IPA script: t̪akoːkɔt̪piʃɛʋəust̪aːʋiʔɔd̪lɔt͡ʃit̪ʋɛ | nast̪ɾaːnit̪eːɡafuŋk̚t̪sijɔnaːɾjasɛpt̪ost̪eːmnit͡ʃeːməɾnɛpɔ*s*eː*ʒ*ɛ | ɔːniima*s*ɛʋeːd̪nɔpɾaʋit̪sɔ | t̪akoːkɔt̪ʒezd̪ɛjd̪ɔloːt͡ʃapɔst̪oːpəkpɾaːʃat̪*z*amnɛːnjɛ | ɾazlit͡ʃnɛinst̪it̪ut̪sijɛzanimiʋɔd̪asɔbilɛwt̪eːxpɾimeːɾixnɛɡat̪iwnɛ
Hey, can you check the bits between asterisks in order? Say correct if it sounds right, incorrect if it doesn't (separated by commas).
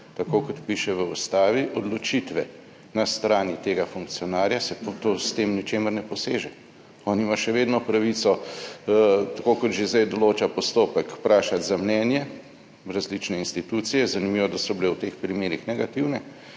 correct, correct, incorrect, correct